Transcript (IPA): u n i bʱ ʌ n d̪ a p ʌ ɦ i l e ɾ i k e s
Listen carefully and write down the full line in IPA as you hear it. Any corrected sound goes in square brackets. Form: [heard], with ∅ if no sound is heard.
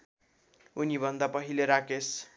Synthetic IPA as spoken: u n i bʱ ʌ n d̪ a p ʌ ɦ i l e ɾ [a] k e s